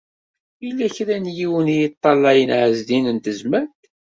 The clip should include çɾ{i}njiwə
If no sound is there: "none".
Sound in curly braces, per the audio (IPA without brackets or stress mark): æ